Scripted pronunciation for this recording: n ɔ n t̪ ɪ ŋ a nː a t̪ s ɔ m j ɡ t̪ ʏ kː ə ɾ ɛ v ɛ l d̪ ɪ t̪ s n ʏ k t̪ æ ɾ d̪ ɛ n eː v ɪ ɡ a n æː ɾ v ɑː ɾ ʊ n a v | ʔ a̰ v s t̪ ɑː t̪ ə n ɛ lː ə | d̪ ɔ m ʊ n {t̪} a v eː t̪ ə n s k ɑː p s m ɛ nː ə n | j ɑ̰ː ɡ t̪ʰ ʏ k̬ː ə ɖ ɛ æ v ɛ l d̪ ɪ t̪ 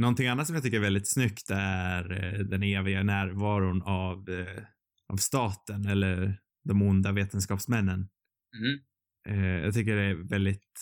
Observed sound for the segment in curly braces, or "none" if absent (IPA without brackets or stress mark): d̪